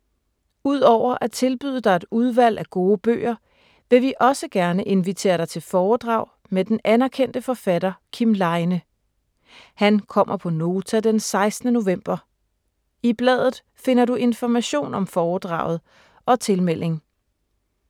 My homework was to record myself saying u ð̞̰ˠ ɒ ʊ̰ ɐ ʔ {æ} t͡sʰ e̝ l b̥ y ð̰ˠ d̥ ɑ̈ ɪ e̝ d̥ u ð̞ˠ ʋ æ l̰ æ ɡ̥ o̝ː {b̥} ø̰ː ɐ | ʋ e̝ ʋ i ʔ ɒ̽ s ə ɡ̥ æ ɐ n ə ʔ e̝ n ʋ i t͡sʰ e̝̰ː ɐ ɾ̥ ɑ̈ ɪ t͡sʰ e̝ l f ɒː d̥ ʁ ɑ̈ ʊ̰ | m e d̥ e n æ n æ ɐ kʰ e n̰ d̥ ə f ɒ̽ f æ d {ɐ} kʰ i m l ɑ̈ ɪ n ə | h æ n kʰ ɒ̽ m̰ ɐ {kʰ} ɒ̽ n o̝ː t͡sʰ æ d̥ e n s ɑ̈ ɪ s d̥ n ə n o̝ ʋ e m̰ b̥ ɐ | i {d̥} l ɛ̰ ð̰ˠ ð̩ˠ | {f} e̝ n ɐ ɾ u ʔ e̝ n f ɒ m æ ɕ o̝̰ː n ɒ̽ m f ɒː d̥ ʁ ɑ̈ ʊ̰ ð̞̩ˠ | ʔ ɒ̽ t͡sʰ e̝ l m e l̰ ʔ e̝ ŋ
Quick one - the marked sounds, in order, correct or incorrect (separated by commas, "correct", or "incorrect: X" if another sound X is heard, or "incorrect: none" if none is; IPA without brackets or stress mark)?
correct, correct, correct, incorrect: pʰ, incorrect: b̥, correct